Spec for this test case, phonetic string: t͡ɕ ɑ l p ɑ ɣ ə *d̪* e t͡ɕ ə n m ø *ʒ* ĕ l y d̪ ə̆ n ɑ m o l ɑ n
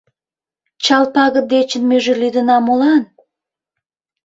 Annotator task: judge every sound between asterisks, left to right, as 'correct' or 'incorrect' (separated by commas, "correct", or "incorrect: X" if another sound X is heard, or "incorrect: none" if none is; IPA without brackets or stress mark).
correct, correct